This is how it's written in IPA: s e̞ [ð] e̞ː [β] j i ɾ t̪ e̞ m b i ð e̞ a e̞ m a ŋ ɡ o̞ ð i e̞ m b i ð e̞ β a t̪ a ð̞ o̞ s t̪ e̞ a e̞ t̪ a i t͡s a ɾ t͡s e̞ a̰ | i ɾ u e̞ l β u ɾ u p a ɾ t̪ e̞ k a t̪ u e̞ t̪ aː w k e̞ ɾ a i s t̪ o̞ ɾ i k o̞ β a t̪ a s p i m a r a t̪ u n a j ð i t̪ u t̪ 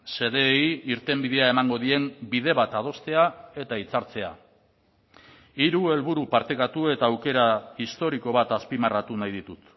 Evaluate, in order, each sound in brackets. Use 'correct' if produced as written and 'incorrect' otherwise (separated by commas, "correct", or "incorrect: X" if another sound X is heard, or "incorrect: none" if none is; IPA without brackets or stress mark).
correct, incorrect: none